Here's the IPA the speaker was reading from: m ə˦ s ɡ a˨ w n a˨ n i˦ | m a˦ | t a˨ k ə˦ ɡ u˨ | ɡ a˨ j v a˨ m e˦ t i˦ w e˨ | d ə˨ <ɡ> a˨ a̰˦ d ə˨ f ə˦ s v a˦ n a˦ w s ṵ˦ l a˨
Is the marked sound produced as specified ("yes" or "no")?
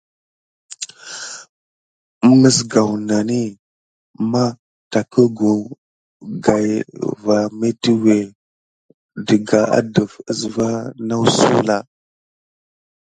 yes